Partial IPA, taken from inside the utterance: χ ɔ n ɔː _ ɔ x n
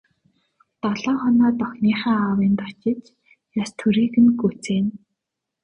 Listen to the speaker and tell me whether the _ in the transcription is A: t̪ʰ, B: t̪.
B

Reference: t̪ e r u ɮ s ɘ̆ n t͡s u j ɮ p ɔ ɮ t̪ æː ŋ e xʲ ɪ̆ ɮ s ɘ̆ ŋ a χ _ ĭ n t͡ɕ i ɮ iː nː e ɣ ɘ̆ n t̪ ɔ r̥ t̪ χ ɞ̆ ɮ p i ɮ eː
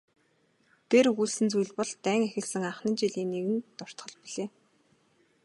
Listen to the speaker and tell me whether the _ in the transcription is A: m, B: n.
B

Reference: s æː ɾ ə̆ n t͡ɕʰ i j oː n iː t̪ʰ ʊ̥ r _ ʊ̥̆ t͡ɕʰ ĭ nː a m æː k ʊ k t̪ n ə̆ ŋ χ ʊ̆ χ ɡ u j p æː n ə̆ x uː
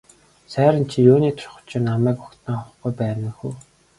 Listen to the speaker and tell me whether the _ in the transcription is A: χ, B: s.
A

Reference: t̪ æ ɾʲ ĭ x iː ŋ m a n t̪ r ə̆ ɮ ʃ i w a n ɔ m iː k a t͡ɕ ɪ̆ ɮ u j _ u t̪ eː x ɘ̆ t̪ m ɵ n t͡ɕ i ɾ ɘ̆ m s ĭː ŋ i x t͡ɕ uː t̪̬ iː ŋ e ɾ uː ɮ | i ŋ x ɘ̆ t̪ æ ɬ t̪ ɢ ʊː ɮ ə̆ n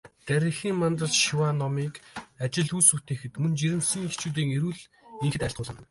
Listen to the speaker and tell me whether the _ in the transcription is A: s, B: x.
A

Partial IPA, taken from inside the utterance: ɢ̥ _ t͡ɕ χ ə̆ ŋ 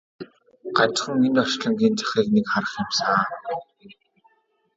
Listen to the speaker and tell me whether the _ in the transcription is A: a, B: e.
A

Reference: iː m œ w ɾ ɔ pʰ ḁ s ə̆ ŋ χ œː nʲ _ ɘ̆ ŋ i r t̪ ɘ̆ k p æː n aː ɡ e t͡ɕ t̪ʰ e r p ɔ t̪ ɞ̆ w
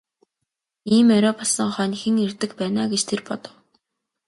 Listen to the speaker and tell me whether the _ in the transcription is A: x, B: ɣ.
A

